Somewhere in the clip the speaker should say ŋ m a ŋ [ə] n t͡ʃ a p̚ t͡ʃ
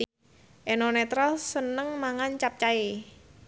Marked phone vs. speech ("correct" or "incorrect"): incorrect